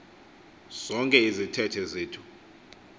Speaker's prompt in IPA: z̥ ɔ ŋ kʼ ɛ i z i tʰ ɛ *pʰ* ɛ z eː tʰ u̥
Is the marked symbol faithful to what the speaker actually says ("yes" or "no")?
no